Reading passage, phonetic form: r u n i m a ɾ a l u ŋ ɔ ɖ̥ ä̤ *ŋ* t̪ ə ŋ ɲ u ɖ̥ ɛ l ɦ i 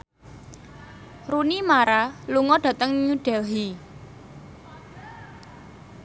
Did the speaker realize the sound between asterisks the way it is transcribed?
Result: no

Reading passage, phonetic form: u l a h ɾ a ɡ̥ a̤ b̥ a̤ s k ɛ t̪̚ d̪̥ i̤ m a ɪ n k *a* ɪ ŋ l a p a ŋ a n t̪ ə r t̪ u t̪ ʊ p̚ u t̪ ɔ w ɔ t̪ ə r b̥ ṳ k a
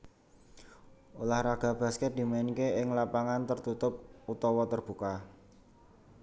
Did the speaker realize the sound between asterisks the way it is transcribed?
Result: no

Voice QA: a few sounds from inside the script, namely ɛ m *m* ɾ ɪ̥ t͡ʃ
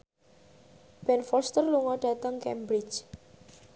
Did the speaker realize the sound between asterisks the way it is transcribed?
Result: no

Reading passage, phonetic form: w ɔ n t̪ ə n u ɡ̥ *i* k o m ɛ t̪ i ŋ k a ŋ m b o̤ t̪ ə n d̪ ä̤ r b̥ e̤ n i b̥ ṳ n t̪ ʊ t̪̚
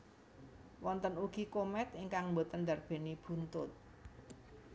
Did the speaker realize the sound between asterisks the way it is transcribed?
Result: yes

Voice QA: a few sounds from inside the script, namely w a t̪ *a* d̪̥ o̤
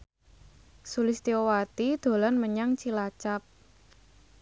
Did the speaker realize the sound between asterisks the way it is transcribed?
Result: no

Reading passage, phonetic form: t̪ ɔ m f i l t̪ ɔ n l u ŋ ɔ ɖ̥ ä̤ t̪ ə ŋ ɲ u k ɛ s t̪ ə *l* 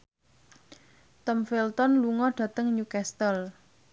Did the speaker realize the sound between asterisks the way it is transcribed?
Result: yes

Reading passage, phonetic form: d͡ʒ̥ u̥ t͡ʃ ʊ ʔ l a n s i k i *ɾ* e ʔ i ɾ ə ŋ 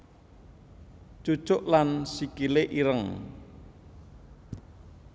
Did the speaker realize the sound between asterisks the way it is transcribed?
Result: no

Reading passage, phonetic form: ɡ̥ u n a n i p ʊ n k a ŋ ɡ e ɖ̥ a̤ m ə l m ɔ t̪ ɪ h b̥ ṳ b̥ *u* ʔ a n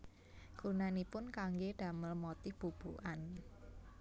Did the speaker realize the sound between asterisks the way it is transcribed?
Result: yes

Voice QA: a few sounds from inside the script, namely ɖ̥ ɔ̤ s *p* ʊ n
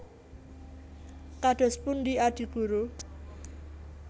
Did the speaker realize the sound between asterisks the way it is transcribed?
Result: yes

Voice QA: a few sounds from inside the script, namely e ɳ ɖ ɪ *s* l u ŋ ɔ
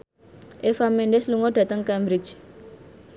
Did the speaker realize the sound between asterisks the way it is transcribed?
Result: yes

